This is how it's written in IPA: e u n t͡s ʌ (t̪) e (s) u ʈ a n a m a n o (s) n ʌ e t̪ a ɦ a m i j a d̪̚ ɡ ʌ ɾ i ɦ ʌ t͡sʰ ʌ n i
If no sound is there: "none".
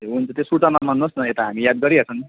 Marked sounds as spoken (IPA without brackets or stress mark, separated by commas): t̪, s, s